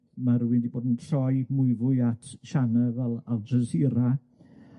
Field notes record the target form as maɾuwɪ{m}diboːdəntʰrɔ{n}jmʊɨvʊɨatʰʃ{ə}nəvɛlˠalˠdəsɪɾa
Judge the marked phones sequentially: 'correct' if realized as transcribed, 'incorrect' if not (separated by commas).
incorrect, incorrect, incorrect